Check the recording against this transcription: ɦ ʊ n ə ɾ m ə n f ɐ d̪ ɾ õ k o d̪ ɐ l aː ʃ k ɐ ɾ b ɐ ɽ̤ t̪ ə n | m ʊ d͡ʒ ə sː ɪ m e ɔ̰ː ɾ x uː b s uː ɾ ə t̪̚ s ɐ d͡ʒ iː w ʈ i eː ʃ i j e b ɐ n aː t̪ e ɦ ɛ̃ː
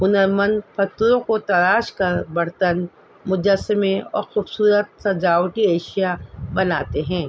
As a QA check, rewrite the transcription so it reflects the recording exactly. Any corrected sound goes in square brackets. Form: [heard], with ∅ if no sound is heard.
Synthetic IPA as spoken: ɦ ʊ n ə ɾ m ə n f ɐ [t̪] ɾ õ k o [t̪] ɐ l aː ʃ k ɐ ɾ b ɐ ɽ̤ t̪ ə n | m ʊ d͡ʒ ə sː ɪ m e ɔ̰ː ɾ x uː b s uː ɾ ə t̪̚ s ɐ d͡ʒ [aː] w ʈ i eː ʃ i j [a] b ɐ n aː t̪ e ɦ ɛ̃ː